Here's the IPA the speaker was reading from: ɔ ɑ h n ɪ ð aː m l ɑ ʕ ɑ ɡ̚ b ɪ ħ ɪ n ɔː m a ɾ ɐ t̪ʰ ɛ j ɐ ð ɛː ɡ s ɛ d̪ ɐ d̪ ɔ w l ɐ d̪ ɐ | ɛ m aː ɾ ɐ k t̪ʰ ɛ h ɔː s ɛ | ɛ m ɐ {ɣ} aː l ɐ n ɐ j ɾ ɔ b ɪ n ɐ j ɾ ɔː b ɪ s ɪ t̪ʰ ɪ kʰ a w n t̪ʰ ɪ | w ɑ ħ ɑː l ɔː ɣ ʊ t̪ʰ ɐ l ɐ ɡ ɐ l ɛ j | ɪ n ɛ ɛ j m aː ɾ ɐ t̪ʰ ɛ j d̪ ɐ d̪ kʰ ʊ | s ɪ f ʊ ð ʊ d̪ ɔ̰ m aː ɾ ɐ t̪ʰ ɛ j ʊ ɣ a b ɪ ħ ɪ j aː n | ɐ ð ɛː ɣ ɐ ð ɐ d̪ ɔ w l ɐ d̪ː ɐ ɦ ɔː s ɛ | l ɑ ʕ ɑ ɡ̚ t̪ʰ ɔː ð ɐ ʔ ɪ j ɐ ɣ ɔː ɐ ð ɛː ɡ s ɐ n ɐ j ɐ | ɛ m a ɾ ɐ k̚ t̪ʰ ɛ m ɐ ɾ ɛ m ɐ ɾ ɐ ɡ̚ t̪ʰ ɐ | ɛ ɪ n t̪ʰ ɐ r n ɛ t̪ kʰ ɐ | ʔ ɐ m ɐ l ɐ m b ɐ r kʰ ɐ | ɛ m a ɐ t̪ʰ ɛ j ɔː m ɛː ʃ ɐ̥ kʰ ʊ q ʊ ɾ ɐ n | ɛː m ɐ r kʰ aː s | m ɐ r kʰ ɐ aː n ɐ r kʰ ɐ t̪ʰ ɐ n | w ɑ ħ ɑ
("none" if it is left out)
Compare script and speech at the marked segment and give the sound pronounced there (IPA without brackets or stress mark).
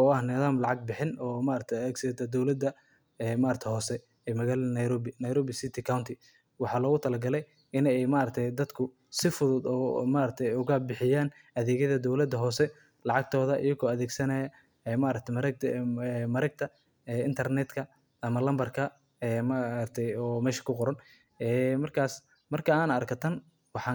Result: ɣ